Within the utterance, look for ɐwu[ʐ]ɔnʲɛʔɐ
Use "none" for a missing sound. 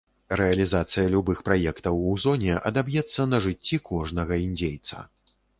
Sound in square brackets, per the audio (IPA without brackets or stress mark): z